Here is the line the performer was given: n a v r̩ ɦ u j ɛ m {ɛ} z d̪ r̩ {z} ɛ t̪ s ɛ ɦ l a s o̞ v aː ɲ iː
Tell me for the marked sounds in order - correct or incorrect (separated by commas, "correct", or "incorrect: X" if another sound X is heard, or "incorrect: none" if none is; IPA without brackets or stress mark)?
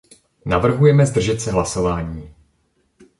correct, incorrect: ʒ